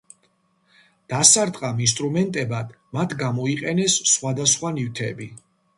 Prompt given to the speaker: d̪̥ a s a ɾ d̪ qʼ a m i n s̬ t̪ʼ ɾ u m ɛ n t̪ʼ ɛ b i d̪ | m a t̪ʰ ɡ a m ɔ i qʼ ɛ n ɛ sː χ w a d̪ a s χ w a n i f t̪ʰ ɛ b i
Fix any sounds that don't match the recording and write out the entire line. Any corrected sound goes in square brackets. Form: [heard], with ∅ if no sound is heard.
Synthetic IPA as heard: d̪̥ a s a ɾ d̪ qʼ a m i n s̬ t̪ʼ ɾ u m ɛ n t̪ʼ ɛ b [a] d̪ | m a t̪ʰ ɡ a m ɔ i qʼ ɛ n ɛ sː χ w a d̪ a s χ w a n i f t̪ʰ ɛ b i